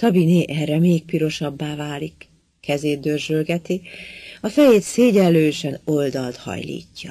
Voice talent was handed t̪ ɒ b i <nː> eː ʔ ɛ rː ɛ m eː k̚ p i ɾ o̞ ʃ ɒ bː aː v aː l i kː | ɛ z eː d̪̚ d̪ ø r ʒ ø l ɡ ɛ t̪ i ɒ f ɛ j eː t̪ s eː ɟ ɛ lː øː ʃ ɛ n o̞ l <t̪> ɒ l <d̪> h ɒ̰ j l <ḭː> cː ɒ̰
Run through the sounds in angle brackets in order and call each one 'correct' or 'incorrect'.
incorrect: n, incorrect: d̪, incorrect: t̪, correct

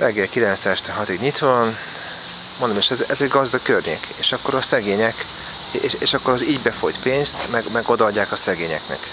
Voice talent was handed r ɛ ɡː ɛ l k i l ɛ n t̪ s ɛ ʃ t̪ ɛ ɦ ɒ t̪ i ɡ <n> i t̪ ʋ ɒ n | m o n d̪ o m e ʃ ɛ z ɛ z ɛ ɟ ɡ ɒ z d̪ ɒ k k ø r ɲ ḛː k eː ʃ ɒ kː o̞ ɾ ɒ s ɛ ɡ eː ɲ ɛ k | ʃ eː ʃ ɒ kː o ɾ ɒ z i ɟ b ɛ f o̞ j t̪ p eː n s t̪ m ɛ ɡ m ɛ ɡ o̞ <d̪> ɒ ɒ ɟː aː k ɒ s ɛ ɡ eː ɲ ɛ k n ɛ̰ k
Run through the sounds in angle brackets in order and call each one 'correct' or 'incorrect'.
incorrect: ɲ, correct

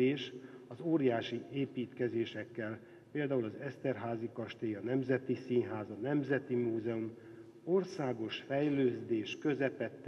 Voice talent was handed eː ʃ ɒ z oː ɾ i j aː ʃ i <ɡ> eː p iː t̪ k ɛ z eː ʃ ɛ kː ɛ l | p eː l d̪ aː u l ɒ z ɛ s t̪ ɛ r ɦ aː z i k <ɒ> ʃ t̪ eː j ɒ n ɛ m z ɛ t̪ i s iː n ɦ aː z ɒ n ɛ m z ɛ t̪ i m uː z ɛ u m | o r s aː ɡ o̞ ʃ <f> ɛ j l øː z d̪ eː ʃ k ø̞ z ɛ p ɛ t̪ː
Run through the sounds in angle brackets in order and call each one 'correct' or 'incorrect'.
incorrect: none, correct, correct

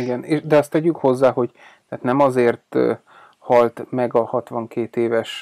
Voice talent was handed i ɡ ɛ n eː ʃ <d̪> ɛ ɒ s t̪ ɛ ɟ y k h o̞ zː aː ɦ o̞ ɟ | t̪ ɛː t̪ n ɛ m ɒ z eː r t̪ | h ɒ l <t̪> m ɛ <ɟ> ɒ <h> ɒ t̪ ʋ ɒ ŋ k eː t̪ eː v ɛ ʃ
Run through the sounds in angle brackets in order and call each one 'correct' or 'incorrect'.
correct, correct, incorrect: ɡ, correct

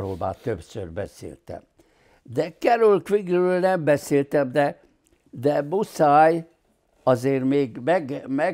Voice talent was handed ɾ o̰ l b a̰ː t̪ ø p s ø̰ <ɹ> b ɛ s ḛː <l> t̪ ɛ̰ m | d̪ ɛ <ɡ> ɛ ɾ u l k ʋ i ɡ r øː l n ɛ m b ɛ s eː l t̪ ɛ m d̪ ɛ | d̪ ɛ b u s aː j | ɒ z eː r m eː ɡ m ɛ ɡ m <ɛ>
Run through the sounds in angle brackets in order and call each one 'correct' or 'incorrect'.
incorrect: r, correct, incorrect: k, correct

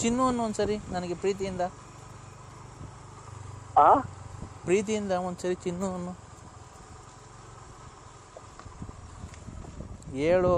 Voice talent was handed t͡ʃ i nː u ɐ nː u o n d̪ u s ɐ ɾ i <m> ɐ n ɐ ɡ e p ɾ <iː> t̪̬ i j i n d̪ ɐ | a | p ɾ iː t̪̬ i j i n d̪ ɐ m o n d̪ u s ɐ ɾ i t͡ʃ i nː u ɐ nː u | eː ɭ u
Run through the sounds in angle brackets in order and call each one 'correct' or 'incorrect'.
incorrect: n, correct

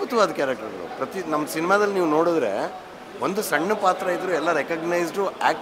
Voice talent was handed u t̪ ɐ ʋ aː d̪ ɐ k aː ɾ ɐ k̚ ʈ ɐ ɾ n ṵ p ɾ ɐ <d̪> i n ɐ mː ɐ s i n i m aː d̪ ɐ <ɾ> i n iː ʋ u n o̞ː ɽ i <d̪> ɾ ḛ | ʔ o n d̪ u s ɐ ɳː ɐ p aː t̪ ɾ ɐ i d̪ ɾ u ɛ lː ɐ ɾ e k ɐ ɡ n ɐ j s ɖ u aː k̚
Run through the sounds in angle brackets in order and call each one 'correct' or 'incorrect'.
incorrect: t̪, incorrect: l, correct

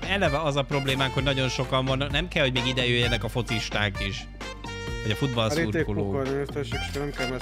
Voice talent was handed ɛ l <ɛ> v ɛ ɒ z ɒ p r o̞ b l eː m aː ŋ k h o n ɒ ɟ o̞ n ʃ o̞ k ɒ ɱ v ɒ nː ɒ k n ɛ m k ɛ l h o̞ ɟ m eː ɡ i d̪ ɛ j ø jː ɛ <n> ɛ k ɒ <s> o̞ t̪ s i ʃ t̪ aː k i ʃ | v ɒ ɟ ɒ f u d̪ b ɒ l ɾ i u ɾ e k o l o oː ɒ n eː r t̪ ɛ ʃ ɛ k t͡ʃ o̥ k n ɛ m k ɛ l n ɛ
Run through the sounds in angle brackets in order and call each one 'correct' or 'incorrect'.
correct, correct, incorrect: f

